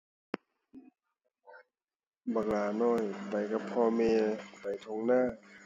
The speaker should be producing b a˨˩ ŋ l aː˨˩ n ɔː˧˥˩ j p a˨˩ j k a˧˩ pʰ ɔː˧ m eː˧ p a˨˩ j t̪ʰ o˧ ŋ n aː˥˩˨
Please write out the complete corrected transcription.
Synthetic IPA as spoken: b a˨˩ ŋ l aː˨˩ n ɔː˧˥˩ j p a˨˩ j k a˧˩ pʰ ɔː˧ m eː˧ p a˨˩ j t̪ʰ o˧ ŋ n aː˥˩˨